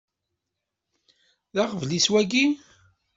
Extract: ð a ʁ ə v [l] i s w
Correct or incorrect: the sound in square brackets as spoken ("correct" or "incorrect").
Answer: correct